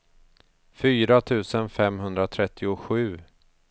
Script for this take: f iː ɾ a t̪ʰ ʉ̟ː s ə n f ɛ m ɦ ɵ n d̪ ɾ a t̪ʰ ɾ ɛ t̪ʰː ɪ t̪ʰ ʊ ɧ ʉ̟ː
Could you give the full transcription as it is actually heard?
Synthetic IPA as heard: f yː ɾ a t̪ʰ ʉ̟ː s ə n f ɛ m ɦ ɵ n d̪ ɾ a t̪ʰ ɾ ɛ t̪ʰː ɪ ʊ ɧ ʉ̟ː